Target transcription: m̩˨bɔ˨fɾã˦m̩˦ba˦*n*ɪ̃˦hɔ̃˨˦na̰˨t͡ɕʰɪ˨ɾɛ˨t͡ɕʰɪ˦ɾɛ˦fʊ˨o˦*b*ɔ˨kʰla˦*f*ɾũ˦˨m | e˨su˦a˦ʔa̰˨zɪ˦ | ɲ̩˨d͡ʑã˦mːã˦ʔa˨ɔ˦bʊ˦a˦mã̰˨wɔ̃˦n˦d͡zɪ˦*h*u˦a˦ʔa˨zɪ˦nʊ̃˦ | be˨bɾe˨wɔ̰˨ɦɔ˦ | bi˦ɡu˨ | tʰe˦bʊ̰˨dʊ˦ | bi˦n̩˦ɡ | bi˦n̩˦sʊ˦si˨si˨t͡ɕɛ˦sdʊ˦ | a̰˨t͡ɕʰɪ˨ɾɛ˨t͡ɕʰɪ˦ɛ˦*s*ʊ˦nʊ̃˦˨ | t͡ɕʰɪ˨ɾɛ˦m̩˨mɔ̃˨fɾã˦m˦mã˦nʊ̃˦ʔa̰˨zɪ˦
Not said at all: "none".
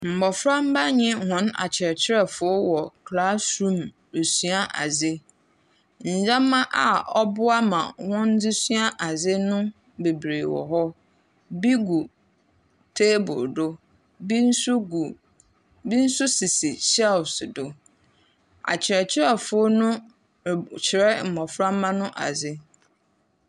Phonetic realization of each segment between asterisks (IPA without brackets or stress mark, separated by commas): ɲ, w, s, s, f